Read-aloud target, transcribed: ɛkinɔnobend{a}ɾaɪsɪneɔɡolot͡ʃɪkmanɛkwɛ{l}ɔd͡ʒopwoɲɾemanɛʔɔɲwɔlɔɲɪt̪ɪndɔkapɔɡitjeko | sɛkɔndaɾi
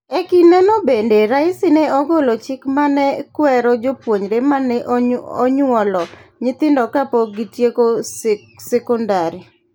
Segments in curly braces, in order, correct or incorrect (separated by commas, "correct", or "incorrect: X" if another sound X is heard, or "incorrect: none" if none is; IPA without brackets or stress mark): incorrect: e, incorrect: ɾ